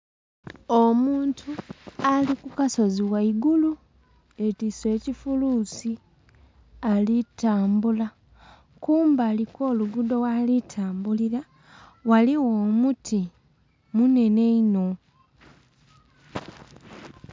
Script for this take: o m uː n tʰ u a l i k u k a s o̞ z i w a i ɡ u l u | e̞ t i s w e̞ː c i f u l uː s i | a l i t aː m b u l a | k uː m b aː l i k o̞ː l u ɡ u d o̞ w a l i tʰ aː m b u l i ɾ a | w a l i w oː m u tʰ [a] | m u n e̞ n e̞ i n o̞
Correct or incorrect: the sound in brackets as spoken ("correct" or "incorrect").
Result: incorrect